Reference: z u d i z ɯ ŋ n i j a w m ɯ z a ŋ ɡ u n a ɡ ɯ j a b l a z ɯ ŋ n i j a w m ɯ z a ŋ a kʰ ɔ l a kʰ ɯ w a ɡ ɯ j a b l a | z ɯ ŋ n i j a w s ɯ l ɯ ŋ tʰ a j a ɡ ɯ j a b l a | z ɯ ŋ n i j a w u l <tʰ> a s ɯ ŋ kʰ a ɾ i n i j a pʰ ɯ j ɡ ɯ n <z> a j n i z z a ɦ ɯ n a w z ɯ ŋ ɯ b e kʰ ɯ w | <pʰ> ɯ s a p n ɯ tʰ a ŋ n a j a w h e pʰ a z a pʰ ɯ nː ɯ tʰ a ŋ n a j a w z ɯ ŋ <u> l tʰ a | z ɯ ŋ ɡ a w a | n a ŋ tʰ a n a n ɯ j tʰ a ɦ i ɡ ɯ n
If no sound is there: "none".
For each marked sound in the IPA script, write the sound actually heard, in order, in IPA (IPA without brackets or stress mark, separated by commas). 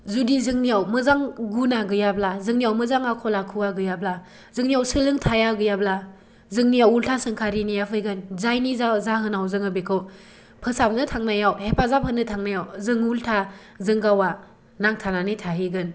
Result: tʰ, z, pʰ, u